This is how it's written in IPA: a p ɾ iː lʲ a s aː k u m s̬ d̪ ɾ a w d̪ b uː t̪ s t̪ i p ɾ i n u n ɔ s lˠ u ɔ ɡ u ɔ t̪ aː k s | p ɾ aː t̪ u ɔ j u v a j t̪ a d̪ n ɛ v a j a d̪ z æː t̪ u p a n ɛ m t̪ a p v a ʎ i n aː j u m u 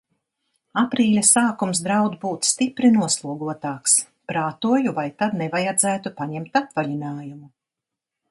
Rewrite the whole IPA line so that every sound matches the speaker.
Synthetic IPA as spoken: a p ɾ iː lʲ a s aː k u m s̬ d̪ ɾ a w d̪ b uː t̪ s t̪ i p ɾ i n u ɔ s lˠ u ɔ ɡ u ɔ t̪ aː k s | p ɾ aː t̪ u ɔ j u v a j t̪ a d̪ n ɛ v a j a d̪ z æː t̪ u p a ɲ ɛ m t̪ a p v a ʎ i n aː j u m u